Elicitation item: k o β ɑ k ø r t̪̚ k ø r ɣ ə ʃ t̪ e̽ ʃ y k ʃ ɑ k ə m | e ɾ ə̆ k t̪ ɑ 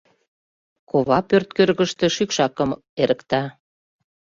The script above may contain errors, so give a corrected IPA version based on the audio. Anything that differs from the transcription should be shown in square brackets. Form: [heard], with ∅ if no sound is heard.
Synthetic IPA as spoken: k o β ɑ [p] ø r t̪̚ k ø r ɣ ə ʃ t̪ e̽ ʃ y k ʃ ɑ k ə m | e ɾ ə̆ k t̪ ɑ